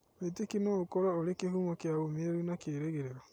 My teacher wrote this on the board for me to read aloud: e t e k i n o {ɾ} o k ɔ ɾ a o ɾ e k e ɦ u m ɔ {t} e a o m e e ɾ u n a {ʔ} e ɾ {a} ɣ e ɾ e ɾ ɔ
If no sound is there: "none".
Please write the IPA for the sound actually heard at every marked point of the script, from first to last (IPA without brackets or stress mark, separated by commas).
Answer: none, k, k, e